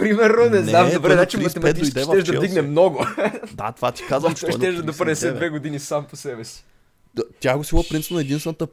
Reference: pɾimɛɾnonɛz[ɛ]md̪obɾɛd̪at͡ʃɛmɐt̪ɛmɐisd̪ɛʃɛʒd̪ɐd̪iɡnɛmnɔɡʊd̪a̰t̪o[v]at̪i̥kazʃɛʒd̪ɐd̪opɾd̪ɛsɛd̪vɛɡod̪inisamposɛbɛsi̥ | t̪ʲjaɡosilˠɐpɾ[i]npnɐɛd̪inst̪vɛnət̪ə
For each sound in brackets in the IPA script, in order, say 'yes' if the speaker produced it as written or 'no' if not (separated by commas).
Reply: no, yes, yes